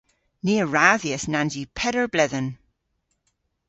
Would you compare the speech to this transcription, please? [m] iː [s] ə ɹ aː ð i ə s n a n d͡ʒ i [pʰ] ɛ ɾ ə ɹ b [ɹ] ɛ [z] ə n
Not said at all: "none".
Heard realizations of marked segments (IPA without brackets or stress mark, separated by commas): n, none, pʰ, l, ð